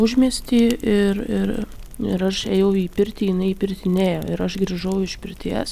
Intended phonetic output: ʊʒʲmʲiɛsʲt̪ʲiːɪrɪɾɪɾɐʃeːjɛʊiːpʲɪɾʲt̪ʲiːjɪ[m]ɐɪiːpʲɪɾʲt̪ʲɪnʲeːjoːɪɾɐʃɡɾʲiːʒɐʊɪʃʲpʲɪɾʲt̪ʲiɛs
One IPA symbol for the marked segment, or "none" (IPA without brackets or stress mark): n